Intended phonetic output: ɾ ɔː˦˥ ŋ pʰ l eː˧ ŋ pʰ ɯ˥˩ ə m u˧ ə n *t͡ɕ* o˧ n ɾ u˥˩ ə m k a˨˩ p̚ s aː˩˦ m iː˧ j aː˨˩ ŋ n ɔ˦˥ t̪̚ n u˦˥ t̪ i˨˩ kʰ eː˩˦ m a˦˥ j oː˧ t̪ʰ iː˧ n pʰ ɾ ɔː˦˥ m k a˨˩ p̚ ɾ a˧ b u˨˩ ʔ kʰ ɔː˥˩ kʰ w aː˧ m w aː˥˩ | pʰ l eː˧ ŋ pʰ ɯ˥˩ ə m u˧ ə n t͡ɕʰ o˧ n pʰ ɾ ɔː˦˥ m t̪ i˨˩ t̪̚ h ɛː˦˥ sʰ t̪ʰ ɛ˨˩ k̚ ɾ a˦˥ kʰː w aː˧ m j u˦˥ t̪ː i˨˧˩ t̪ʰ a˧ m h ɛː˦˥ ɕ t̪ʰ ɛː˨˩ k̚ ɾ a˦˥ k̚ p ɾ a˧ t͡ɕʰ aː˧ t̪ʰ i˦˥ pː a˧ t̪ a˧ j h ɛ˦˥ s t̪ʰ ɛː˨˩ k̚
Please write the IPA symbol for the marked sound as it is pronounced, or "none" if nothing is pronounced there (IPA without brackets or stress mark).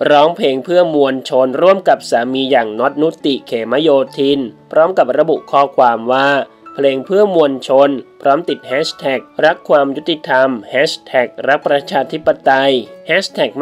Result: t͡ɕʰ